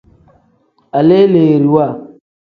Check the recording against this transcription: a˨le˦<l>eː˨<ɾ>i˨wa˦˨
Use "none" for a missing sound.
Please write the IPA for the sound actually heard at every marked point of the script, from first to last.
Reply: l, ɾ

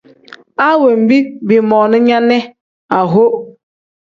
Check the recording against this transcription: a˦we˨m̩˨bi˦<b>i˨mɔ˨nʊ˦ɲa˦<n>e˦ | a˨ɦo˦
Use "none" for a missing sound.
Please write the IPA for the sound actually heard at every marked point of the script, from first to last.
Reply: b, n

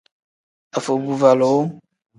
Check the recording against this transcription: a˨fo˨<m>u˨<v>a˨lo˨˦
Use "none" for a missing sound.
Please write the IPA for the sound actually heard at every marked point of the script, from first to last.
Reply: b, v

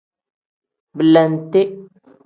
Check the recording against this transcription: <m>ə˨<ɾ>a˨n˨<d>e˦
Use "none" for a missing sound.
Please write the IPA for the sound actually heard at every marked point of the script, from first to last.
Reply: b, l, t

